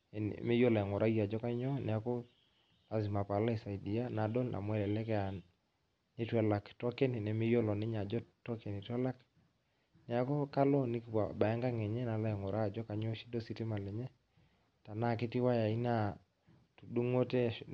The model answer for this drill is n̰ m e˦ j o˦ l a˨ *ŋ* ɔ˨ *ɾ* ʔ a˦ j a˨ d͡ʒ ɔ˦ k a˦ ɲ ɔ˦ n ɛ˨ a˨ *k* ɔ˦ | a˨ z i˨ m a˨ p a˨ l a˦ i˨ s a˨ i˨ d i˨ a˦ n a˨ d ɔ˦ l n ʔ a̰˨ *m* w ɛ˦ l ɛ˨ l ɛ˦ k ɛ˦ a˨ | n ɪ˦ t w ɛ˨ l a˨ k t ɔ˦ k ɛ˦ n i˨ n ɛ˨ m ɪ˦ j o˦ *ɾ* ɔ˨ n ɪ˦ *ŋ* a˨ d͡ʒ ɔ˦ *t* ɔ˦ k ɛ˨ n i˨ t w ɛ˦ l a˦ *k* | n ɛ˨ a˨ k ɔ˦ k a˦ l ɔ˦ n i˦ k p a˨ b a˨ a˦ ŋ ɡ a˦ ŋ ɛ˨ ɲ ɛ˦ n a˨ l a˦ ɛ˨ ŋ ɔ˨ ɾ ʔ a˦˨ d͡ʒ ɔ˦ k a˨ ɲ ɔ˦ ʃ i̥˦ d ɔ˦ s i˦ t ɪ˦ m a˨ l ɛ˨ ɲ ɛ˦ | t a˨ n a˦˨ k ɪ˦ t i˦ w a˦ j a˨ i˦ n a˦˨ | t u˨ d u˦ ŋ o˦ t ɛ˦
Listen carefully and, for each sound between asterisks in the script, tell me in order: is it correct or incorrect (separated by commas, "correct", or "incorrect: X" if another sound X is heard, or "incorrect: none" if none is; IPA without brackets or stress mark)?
correct, correct, correct, correct, incorrect: l, incorrect: ɲ, correct, correct